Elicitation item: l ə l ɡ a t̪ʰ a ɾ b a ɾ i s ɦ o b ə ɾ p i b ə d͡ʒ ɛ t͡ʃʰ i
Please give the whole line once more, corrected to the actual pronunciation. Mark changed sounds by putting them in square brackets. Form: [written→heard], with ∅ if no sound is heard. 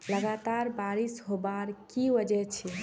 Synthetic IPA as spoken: l ə [l→∅] ɡ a [t̪ʰ→t̪] a ɾ b a ɾ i s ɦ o b [ə→a] ɾ [p→k] i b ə d͡ʒ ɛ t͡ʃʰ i

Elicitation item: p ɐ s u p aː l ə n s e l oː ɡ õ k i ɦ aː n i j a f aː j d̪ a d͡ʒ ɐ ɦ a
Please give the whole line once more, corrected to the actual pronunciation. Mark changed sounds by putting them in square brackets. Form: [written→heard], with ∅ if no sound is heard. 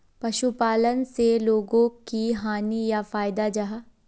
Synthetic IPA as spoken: p ɐ [s→ʃ] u p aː l ə n s e l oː ɡ õ k i ɦ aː n i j a f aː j d̪ a d͡ʒ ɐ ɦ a

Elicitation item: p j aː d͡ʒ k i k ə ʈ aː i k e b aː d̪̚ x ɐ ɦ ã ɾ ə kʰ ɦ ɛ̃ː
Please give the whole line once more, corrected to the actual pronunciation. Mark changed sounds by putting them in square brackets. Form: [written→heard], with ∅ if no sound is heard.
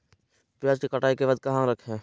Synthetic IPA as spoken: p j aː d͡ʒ k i k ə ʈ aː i k e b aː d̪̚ [x→k] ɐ ɦ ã ɾ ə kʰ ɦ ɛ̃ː

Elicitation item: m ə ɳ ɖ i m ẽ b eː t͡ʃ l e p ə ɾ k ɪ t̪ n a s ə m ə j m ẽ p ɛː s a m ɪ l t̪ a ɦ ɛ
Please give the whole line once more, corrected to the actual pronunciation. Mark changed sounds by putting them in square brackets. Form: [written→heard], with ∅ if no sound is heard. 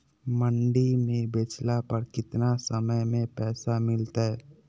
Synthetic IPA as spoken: m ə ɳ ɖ i m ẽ b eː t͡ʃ l [e→a] p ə ɾ k ɪ t̪ n a s ə m ə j m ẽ p ɛː s a m ɪ l t̪ a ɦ ɛ

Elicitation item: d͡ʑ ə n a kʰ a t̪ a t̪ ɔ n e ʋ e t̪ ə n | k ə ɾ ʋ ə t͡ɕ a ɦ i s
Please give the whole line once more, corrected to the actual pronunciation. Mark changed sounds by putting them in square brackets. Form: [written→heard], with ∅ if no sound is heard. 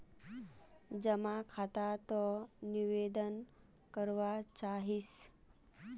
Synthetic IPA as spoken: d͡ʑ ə [n→m] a kʰ a t̪ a t̪ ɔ n [e→i] ʋ e [t̪→d̪] ə n | k ə ɾ ʋ [ə→a] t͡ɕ a ɦ i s

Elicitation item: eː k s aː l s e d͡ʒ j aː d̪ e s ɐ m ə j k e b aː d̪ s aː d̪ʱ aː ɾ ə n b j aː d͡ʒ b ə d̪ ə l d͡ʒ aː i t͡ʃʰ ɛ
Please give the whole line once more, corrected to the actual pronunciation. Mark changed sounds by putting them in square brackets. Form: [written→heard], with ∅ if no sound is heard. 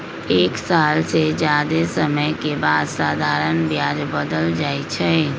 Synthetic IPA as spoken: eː k s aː l s e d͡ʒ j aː d̪ e s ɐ m ə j k e b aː d̪ s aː d̪ʱ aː ɾ ə n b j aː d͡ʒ b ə d̪ ə l d͡ʒ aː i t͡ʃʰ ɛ

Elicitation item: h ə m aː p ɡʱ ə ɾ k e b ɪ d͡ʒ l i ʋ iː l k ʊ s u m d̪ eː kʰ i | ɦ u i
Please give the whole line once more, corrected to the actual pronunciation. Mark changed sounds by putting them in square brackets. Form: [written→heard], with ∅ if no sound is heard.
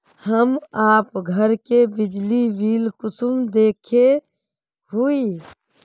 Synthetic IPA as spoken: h ə m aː p ɡʱ ə ɾ k e b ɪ d͡ʒ l i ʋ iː l k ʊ s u m d̪ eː kʰ [i→e] | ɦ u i

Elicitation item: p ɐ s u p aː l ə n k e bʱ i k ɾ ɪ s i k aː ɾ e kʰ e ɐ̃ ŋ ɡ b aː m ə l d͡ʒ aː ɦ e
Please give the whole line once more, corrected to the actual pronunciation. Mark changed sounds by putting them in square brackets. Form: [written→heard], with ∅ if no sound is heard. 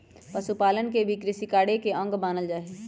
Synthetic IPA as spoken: p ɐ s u p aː l ə n k e bʱ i k ɾ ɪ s i k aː [ɾ→ɽ] e [kʰ→k] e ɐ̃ ŋ ɡ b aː [m→n] ə l d͡ʒ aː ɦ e

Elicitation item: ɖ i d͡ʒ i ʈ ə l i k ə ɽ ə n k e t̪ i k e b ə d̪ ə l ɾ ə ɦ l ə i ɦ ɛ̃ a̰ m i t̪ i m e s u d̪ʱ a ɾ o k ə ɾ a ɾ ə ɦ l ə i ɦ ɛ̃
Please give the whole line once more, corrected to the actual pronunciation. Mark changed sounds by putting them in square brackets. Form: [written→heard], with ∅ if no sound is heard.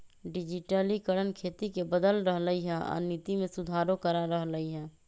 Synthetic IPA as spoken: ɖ i d͡ʒ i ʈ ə l i k ə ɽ ə n [k→kʰ] e t̪ i k e b ə d̪ ə l ɾ ə ɦ l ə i ɦ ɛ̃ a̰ [m→n] i t̪ i m e s u d̪ʱ a ɾ o k ə ɾ a ɾ ə ɦ l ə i ɦ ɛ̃

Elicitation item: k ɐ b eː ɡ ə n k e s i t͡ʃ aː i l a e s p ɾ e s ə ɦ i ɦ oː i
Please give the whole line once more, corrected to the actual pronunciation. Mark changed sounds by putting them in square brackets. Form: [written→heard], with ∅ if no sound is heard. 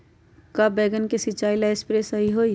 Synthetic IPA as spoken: k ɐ b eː ɡ ə n k e s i t͡ʃ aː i l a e s p ɾ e s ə ɦ i ɦ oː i

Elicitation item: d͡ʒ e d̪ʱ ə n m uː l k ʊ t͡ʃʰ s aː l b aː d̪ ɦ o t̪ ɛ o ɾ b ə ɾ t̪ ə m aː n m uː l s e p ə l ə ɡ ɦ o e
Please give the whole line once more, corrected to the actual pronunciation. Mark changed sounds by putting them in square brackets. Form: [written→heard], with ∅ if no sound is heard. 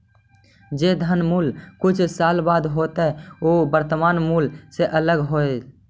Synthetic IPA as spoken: d͡ʒ e d̪ʱ ə n m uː l k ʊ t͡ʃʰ s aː l b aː d̪ ɦ o t̪ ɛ o [ɾ→∅] b ə ɾ t̪ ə m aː n m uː l s e [p→ʔ] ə l ə ɡ ɦ o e

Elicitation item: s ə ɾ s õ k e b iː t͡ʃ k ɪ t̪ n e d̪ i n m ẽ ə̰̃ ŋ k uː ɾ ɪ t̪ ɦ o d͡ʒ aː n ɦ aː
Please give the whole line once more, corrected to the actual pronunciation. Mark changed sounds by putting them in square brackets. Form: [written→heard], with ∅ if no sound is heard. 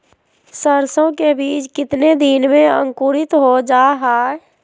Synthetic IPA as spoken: s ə ɾ s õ k e b iː t͡ʃ k ɪ t̪ n e d̪ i n m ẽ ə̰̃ ŋ k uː ɾ ɪ t̪ ɦ o d͡ʒ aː [n→∅] ɦ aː

